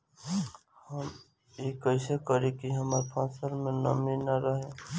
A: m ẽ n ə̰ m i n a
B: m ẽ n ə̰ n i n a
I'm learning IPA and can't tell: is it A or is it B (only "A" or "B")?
A